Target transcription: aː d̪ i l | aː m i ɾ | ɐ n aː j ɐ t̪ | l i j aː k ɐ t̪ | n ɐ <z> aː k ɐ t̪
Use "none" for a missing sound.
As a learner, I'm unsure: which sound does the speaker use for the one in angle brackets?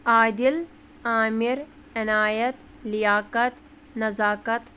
z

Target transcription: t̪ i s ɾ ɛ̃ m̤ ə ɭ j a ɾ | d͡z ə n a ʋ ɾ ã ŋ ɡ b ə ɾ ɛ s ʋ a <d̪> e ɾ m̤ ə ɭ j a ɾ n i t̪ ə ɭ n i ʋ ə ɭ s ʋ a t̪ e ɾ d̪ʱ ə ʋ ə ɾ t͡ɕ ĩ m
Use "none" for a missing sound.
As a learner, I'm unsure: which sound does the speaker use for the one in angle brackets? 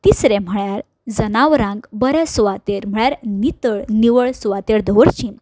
t̪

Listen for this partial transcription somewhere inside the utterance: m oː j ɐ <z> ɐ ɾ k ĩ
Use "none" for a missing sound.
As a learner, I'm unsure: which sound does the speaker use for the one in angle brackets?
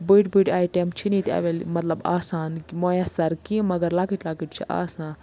s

